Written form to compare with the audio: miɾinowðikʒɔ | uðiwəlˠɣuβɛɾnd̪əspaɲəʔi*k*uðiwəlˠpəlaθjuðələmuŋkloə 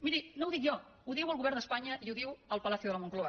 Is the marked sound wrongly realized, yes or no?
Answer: yes